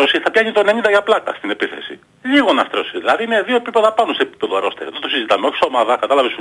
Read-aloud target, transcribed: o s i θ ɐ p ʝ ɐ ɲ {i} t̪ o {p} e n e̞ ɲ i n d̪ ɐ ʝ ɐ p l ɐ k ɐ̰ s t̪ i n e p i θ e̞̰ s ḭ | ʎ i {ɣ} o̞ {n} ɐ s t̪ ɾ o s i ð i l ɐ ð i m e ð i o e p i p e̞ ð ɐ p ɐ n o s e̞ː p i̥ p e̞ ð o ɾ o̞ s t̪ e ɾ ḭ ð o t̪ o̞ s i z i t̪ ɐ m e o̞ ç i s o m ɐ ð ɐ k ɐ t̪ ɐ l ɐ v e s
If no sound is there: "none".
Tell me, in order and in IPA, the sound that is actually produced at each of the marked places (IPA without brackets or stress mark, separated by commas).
i, none, ɣ, n